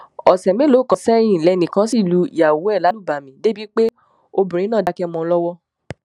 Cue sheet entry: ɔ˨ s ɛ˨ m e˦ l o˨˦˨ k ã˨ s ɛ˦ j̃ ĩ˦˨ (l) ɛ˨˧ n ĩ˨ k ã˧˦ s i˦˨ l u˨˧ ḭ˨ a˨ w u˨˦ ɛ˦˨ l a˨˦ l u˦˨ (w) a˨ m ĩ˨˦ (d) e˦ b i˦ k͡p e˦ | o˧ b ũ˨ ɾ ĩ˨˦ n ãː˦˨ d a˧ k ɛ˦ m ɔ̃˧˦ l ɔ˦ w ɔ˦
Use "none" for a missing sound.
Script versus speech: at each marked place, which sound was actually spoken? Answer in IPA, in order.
l, b, d

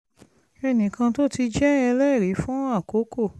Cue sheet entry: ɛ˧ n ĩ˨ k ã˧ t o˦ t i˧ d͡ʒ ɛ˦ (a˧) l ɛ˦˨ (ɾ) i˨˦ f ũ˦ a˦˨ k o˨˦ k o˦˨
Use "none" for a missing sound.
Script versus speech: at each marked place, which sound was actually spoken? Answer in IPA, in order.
ɛ˧, ɾ

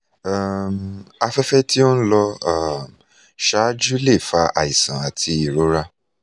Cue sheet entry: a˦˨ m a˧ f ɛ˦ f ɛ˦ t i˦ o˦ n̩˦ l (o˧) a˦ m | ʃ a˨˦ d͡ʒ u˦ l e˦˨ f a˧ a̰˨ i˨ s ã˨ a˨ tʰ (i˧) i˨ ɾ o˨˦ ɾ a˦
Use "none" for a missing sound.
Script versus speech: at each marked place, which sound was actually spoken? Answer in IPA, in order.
ɔ˧, i˧

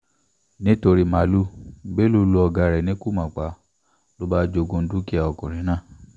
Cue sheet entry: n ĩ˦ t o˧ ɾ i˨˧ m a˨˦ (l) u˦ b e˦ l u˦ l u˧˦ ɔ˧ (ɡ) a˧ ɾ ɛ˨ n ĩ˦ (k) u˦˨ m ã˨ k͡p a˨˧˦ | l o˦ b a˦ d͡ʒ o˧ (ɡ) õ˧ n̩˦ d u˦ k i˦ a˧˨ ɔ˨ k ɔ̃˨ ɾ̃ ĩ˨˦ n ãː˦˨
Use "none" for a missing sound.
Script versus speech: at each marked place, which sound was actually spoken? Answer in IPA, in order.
l, ɡ, k, ɡ

